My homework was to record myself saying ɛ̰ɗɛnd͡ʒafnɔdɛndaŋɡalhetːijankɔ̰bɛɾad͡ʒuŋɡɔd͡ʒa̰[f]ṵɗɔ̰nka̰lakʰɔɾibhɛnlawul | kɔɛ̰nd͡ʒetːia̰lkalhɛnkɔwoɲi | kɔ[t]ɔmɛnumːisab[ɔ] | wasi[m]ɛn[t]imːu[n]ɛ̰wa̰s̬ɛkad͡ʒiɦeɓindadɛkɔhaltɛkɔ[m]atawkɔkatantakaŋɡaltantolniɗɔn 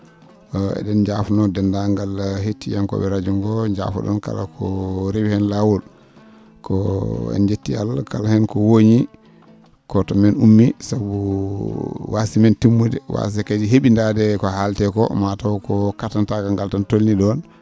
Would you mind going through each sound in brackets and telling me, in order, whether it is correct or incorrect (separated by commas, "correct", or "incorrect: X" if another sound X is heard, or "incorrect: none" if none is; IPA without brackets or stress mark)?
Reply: correct, correct, incorrect: u, correct, correct, incorrect: d, correct